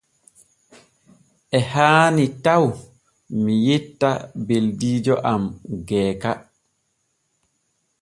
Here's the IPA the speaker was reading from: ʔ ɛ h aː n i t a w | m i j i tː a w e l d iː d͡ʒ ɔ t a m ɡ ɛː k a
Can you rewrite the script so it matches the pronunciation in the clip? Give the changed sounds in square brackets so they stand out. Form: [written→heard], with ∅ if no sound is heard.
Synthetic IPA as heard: ʔ ɛ h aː n i t a w | m i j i tː a [w→b] e l d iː d͡ʒ ɔ [t→ʔ] a m ɡ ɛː k a